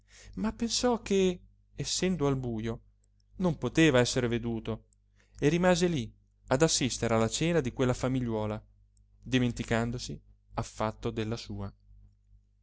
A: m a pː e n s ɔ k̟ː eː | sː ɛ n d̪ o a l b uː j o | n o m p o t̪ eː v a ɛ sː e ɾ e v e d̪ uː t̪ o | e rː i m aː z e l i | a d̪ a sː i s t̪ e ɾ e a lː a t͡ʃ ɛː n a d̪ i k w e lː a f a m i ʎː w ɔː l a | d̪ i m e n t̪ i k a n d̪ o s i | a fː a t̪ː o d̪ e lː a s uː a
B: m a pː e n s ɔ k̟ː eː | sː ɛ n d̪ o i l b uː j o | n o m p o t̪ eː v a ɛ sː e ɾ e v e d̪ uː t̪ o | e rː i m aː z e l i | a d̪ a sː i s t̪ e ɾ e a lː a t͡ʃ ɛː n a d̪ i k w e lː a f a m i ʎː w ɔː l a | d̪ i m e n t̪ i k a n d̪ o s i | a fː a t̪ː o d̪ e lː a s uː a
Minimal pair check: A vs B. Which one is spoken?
A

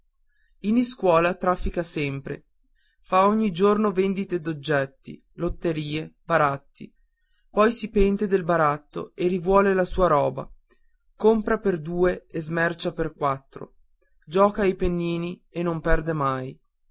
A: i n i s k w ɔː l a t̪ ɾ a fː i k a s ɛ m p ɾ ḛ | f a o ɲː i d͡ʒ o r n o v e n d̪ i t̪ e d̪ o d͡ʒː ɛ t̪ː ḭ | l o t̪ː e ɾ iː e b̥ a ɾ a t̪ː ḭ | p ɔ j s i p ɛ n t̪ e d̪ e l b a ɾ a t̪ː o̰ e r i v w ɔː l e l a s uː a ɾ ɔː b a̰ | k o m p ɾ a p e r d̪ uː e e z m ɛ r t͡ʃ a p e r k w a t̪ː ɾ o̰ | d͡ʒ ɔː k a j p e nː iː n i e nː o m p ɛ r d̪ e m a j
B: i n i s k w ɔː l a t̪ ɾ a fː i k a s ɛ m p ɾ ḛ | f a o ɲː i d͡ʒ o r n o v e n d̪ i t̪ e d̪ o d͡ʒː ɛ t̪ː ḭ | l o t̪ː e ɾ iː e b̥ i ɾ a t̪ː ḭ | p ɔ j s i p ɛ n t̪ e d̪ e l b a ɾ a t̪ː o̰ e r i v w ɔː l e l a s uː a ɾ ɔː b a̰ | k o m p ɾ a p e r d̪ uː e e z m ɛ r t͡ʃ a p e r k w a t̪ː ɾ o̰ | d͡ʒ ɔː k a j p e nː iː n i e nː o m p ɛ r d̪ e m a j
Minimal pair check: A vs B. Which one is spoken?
A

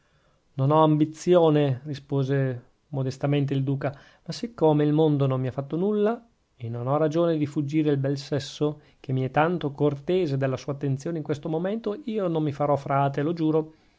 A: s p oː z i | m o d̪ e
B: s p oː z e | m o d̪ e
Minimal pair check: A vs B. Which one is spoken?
B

